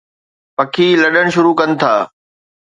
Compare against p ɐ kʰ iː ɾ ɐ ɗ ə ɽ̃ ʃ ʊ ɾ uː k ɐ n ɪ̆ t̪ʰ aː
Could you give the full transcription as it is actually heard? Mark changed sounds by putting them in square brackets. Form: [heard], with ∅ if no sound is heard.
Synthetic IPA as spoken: p ɐ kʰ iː [l] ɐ ɗ ə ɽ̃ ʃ ʊ ɾ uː k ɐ n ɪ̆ t̪ʰ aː